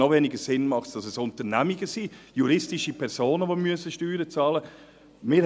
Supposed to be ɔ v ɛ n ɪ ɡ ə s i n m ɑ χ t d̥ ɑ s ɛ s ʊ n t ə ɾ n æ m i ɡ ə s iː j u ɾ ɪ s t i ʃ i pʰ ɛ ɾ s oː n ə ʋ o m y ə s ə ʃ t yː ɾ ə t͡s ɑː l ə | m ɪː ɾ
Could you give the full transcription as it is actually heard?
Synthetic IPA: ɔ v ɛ n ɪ ɡ ə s ɪ n m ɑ χ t d̥ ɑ s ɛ s ʊ n t ə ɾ n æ m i ɡ ə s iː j u ɾ ɪ s t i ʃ i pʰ ɛ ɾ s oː n ə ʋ o m y ə s ə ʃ t yː ɾ ə t͡s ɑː l ə | m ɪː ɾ